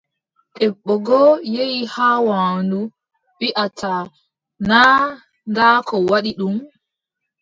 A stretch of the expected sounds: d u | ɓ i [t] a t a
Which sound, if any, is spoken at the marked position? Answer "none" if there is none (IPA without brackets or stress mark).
ʔ